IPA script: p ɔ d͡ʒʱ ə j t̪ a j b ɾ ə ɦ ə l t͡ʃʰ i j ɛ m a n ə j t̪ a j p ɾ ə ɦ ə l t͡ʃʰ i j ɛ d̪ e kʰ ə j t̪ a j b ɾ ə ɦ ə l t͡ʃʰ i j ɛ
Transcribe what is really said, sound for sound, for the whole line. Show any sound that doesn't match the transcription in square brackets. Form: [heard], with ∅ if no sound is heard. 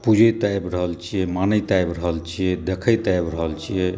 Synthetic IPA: p [u] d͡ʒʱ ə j t̪ a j b ɾ ə ɦ ə l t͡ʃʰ i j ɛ m a n ə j t̪ a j [b] ɾ ə ɦ ə l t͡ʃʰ i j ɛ d̪ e kʰ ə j t̪ a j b ɾ ə ɦ ə l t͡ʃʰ i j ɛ